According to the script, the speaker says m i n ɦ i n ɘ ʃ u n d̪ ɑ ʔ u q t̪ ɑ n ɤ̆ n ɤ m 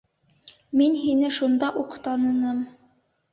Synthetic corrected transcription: m i n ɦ i n ɘ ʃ u n d̪ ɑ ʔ u q t̪ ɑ n ɤ̆ n ɤ m